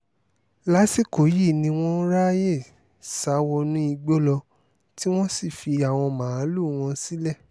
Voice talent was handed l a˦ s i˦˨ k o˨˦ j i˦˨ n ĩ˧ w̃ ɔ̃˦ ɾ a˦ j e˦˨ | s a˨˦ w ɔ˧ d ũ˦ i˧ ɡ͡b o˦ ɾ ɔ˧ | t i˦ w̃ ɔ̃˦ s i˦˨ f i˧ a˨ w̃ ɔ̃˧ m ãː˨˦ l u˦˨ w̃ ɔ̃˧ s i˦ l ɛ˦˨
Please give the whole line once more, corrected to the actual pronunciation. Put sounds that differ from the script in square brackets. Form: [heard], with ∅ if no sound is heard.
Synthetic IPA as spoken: l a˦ s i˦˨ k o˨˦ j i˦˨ n ĩ˧ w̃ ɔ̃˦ ɾ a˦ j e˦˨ | s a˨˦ w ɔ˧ [n] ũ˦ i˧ ɡ͡b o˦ [l] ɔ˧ | t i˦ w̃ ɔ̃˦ s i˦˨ f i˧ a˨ w̃ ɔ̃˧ m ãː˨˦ l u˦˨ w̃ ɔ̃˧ s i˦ l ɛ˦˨